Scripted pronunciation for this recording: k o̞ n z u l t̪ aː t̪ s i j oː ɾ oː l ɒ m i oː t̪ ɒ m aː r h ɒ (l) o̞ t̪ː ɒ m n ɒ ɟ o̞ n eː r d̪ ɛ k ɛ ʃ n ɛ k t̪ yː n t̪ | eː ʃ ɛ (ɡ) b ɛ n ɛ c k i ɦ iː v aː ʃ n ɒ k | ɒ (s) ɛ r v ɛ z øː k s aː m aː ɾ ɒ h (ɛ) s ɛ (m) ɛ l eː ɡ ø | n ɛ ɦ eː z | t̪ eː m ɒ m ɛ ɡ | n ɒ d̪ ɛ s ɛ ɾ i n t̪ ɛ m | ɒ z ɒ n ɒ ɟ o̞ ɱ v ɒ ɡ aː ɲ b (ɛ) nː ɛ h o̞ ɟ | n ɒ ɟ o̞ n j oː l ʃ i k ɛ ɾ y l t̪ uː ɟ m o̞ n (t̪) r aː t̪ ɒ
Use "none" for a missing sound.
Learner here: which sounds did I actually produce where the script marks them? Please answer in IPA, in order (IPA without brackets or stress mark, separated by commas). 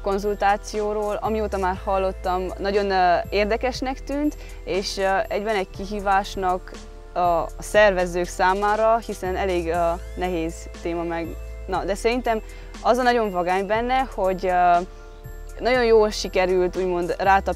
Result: lː, ɟ, s, i, n, ɛ, d̪